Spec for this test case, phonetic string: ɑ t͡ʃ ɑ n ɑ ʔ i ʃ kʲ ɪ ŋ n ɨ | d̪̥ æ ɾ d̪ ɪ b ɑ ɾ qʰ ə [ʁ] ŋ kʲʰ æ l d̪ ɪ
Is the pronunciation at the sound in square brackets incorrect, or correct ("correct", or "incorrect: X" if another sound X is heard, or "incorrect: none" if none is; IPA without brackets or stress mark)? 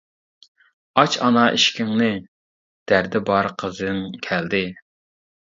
incorrect: z